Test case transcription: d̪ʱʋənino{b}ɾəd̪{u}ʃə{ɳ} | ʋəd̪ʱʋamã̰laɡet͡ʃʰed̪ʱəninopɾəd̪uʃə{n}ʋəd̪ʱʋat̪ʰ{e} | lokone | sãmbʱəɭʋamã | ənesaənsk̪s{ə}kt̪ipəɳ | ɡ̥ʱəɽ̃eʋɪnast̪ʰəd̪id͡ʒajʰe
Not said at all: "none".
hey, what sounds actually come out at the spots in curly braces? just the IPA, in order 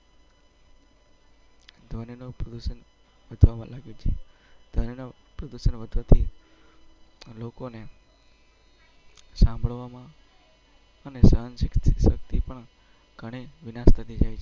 p, u, n, n, i, ə

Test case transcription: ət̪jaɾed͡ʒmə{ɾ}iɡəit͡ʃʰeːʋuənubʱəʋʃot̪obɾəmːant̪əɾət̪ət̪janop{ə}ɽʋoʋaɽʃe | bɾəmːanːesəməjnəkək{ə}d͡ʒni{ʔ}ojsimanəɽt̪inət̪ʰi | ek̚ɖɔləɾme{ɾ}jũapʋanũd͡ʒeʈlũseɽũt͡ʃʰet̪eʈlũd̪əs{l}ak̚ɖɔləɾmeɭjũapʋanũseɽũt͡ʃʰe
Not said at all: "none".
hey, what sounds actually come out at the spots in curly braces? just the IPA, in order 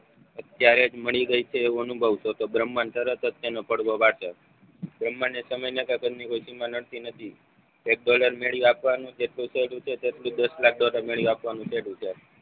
ɭ, ə, ə, k, ɭ, l

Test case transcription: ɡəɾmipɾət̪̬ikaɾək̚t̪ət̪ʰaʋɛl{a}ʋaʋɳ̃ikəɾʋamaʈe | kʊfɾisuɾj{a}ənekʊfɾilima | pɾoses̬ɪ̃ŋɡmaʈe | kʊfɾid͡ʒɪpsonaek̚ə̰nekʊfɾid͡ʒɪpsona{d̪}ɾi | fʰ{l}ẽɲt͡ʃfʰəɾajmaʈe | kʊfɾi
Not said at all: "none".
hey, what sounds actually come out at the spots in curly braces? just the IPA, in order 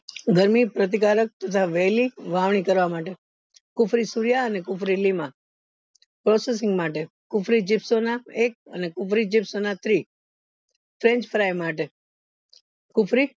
i, a, t̪, ɾ

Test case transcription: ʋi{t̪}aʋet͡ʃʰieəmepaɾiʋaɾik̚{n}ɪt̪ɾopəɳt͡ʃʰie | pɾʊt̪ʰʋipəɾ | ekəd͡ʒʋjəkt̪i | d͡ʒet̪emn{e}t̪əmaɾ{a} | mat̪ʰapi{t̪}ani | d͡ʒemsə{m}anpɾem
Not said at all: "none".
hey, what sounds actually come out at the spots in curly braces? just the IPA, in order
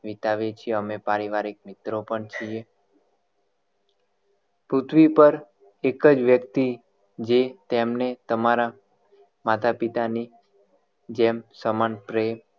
t̪, m, e, a, t̪, m

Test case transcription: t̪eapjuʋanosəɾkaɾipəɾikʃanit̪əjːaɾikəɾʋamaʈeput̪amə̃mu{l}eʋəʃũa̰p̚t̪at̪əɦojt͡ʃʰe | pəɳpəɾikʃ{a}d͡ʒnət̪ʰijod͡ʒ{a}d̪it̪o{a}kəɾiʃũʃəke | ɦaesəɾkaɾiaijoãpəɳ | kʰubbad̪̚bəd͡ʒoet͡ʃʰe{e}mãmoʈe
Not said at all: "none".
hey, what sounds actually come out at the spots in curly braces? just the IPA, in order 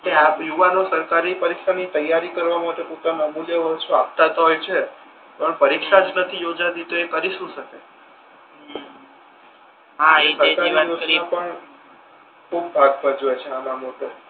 l, a, a, e, a

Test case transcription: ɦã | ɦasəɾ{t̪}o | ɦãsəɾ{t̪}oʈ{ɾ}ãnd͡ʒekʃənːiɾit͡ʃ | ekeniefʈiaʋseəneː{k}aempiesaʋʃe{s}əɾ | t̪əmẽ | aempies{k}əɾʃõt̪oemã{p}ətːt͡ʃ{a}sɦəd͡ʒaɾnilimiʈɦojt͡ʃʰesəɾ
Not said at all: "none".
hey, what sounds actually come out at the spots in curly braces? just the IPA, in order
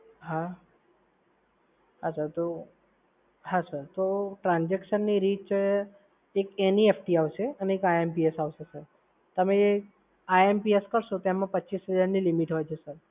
t̪, t̪, ɾ, k, s, k, p, i

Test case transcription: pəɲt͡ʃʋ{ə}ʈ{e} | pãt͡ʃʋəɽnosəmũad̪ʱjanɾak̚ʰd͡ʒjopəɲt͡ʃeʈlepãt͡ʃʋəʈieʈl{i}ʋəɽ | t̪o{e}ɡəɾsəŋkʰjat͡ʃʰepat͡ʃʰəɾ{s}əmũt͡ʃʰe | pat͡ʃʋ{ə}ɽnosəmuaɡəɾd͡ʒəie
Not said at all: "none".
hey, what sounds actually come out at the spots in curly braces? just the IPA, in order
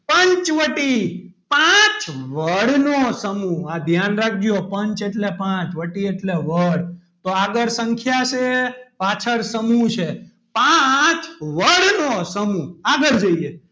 ə, i, e, a, s, ə

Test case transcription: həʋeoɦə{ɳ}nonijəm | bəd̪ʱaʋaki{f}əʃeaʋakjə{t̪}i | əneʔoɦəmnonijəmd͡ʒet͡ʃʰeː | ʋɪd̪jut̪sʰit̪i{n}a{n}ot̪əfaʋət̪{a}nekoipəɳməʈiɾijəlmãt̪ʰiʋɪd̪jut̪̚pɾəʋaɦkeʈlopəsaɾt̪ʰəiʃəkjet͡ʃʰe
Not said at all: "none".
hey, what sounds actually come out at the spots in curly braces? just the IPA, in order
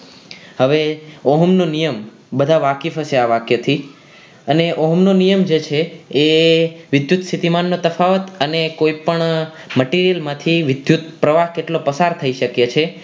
m, f, t̪ʰ, m, nː, ə

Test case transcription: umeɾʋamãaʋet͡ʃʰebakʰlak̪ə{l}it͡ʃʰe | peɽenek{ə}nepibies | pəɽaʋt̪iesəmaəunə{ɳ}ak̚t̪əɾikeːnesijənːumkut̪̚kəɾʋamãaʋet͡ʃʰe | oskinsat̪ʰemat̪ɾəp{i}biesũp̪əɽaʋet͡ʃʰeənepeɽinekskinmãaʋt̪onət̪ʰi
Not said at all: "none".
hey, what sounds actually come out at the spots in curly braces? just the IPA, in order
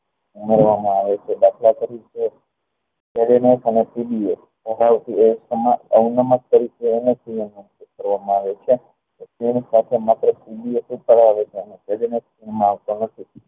ɾ, ə, m, i

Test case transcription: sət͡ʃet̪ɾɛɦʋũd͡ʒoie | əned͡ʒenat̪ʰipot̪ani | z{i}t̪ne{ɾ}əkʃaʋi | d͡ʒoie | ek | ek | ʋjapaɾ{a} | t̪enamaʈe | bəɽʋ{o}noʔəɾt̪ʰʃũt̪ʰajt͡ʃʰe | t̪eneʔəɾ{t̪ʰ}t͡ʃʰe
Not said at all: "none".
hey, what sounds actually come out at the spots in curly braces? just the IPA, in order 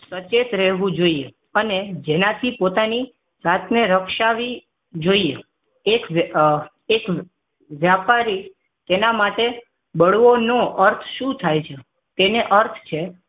a, ɾ, i, o, t̪ʰ

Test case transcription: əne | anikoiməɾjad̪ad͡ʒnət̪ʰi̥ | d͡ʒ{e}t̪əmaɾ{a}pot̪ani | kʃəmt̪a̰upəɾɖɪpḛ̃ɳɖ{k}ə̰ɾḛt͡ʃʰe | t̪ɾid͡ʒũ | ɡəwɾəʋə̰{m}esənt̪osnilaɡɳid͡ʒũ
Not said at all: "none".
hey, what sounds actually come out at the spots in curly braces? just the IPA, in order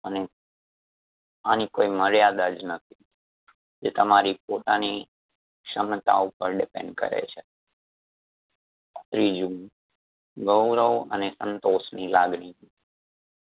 e, i, k, n

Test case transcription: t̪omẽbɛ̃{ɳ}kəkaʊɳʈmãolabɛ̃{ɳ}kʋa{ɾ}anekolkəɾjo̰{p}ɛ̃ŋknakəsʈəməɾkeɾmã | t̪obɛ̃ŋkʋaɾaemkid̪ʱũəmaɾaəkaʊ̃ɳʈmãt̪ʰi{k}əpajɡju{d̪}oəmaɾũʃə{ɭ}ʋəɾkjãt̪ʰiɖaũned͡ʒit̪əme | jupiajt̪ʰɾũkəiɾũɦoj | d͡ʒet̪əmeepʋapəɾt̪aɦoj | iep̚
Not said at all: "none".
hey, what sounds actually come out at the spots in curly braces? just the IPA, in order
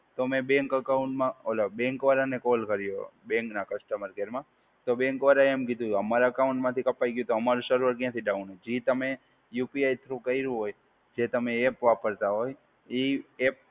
ŋ, ŋ, ɾ, b, k, t̪, ɾ

